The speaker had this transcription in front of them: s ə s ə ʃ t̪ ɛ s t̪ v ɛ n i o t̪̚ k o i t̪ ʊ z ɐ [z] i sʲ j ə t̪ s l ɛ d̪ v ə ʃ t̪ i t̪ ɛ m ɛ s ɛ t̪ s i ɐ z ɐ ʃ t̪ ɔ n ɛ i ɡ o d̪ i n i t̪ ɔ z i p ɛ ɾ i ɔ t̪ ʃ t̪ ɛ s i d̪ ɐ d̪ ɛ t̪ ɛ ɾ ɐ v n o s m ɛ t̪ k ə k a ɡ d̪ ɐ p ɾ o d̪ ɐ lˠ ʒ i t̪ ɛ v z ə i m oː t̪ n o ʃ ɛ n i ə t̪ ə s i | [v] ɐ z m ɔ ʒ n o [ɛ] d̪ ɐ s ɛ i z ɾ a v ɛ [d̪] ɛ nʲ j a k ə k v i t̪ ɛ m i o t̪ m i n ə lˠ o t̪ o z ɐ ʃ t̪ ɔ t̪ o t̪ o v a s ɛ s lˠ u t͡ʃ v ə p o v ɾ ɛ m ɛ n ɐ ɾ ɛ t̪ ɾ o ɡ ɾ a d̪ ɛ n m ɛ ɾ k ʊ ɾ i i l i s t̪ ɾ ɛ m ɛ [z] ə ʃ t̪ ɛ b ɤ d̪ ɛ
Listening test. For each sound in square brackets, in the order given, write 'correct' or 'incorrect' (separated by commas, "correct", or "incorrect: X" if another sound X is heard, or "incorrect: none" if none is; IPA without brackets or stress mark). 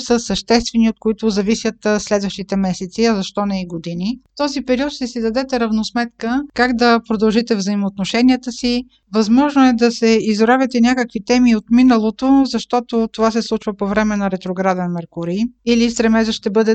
incorrect: v, correct, correct, incorrect: t̪, correct